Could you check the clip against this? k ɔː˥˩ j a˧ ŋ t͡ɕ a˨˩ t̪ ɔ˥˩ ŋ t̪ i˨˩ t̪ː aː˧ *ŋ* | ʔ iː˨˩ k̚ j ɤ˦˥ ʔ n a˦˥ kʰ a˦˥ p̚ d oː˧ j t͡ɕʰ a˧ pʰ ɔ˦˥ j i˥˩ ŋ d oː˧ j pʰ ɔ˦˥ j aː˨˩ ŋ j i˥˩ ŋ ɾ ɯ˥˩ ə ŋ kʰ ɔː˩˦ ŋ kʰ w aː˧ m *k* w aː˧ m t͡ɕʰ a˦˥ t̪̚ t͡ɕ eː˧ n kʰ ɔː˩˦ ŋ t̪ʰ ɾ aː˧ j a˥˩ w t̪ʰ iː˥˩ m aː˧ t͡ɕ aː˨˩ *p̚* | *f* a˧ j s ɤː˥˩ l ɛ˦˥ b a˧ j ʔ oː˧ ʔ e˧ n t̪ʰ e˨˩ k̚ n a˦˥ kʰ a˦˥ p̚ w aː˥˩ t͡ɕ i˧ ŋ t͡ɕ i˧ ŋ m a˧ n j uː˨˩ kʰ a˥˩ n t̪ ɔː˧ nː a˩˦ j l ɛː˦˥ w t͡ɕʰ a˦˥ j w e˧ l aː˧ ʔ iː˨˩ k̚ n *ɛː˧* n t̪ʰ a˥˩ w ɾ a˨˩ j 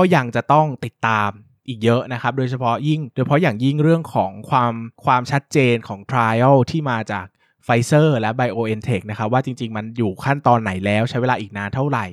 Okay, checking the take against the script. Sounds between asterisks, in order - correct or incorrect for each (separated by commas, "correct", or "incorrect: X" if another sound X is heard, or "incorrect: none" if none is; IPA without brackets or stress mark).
incorrect: m, incorrect: kʰ, incorrect: k̚, correct, incorrect: aː˧